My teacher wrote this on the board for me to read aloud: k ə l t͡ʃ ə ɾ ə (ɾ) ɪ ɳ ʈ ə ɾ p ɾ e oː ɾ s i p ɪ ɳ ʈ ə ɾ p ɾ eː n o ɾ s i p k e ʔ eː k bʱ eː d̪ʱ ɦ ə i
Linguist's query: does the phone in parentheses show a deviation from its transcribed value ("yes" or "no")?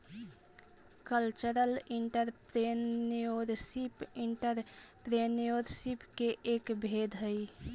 yes